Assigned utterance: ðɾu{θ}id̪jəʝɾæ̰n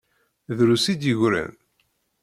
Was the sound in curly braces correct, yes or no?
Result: no